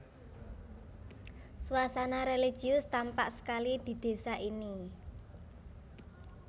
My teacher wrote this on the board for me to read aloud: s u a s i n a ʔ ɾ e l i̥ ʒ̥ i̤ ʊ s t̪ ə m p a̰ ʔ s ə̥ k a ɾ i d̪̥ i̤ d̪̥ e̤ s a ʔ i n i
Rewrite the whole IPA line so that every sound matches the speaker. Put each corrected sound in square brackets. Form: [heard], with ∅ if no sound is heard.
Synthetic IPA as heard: s u a s [a] n a [∅] ɾ e l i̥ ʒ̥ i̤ ʊ s t̪ [a] m p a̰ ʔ s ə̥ k a [l] i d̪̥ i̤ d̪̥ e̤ s a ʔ i n i